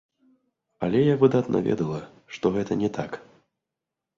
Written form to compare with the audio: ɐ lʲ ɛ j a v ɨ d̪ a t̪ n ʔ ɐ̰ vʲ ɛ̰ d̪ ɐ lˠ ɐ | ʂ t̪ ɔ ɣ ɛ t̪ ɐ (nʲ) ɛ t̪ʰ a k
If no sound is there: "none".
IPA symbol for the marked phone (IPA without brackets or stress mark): nʲ